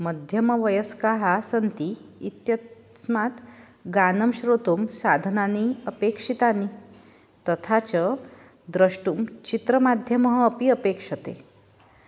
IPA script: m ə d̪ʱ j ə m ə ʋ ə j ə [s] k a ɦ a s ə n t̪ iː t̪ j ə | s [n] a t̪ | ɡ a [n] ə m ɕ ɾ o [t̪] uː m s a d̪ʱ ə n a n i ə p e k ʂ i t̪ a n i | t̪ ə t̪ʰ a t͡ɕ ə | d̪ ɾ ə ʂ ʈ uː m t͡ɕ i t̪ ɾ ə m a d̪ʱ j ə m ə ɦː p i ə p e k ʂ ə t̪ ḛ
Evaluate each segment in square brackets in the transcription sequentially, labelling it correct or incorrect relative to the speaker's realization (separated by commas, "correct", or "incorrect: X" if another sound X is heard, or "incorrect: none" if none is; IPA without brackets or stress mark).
correct, incorrect: m, correct, correct